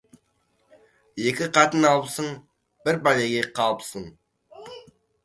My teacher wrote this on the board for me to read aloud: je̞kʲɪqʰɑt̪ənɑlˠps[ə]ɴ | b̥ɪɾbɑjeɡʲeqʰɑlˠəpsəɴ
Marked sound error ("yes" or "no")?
no